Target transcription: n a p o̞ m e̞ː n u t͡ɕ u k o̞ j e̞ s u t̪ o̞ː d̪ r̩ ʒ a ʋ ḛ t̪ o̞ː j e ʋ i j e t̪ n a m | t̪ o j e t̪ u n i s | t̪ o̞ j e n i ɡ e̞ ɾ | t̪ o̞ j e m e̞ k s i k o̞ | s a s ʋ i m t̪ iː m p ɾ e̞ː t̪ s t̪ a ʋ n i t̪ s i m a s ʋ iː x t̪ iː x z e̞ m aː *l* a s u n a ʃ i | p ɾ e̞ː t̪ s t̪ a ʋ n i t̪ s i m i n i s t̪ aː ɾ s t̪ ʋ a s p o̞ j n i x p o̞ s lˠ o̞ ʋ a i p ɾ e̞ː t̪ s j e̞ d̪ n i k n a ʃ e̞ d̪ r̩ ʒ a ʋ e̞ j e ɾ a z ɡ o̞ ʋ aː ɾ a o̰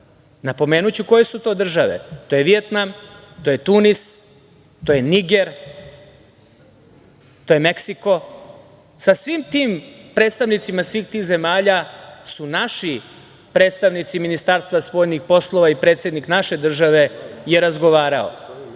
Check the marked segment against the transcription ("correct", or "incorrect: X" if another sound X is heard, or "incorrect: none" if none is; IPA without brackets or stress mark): incorrect: ʎ